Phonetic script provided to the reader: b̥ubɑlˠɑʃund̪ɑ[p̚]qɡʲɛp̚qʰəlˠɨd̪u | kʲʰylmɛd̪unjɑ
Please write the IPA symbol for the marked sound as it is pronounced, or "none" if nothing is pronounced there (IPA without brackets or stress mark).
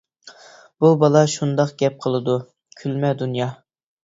none